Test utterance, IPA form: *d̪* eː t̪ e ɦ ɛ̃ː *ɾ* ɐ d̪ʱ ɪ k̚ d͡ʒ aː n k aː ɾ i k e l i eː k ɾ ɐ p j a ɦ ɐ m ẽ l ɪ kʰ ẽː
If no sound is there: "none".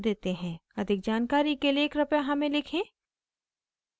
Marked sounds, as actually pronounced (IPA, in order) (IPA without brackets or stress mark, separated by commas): d̪, none